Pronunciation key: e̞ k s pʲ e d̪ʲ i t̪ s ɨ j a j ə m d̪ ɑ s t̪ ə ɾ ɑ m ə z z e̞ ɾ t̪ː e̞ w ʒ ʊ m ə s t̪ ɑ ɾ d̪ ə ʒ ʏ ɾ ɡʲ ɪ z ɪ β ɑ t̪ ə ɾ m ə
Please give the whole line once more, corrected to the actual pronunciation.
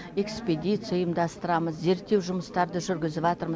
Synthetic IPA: e̞ k s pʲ e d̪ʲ i t̪ s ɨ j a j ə m d̪ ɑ s t̪ ə ɾ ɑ m ə z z e̞ ɾ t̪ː e̞ w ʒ ʊ m ə s t̪ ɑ ɾ d̪ ə ʒ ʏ ɾ ɡʲ ɪ z ɪ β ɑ t̪ ə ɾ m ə